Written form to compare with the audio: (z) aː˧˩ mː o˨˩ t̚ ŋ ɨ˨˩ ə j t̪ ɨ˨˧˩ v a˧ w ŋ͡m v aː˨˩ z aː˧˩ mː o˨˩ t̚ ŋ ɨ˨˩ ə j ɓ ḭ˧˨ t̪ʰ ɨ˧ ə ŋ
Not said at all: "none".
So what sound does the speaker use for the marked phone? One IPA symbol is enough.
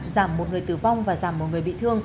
z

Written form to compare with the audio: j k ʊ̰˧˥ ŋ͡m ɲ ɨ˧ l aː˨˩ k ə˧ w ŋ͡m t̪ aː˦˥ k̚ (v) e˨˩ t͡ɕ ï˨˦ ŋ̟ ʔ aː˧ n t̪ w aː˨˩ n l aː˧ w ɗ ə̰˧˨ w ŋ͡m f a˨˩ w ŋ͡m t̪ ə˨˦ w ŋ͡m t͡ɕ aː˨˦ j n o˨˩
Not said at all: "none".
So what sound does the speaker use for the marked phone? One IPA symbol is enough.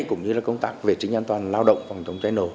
v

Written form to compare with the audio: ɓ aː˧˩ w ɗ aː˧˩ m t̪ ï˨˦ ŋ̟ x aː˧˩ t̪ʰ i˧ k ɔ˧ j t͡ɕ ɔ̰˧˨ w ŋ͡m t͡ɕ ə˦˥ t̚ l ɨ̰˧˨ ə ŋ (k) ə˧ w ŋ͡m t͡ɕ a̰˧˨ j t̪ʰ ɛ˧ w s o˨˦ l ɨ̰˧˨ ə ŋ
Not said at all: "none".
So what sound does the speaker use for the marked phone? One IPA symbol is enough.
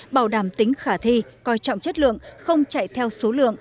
x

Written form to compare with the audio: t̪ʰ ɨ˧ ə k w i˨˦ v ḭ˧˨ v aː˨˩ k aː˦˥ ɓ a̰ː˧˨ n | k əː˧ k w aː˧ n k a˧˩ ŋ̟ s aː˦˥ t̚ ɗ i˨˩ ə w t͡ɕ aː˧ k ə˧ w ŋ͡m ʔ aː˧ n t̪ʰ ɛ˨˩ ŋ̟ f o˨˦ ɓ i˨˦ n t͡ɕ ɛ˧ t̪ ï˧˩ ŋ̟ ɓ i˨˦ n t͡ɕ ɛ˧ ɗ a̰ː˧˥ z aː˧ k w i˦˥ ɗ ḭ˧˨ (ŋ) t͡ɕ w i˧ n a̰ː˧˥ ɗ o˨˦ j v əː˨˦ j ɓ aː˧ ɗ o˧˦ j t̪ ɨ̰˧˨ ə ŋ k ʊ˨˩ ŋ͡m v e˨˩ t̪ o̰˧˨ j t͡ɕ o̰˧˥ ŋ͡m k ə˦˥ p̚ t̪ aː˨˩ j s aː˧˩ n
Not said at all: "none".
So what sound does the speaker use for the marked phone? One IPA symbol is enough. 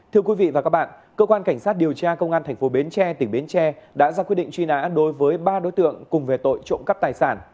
ŋ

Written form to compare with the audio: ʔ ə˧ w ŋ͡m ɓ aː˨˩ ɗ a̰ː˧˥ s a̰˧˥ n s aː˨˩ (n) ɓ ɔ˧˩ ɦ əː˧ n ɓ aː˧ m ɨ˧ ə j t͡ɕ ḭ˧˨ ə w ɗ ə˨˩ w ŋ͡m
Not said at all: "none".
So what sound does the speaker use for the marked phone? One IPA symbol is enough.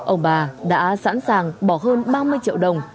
ŋ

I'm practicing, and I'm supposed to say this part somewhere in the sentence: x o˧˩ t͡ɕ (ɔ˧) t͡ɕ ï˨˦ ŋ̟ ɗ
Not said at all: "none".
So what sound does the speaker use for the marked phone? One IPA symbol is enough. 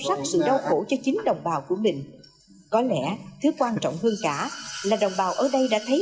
ɔ˧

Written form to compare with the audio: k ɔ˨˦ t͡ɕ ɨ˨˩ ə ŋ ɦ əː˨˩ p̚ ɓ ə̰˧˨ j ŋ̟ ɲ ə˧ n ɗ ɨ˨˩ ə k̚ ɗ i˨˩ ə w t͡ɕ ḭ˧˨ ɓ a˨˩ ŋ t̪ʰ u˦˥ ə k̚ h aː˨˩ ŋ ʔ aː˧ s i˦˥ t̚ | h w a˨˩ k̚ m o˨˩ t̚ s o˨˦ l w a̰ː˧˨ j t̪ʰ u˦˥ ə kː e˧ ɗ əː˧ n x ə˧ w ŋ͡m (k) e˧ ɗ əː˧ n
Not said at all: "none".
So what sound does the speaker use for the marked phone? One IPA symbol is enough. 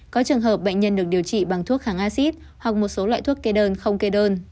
k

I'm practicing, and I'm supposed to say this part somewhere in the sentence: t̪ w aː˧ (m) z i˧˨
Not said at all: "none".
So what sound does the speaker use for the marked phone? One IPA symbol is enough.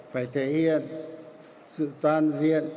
n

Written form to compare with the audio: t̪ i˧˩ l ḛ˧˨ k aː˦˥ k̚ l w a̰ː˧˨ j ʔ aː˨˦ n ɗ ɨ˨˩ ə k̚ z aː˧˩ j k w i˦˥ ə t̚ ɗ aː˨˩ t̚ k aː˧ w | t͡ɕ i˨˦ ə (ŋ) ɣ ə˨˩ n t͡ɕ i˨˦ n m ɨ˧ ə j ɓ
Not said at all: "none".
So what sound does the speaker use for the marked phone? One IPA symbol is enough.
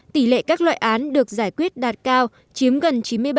m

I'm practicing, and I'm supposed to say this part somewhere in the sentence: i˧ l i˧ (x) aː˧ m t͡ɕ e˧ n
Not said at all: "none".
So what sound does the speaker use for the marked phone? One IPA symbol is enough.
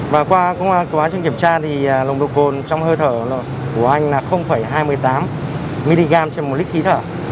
ɣ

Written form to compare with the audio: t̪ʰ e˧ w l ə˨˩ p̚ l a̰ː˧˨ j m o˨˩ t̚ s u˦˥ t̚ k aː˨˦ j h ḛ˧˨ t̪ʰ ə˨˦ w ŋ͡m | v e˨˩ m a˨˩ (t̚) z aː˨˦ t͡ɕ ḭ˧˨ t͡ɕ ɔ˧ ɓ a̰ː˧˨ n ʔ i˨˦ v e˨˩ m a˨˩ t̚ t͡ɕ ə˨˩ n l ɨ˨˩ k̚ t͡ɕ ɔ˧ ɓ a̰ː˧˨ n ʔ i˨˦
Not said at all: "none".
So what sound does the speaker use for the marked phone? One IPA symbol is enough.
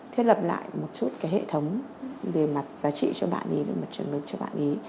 t̚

